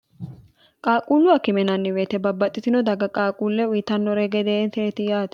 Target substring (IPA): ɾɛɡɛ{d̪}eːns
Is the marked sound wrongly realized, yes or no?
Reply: no